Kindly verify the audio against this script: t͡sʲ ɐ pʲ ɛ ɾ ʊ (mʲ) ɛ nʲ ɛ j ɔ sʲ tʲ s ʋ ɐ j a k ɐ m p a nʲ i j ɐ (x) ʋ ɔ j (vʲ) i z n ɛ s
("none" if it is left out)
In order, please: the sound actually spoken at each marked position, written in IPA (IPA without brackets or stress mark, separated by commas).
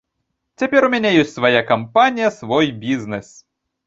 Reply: mʲ, s, bʲ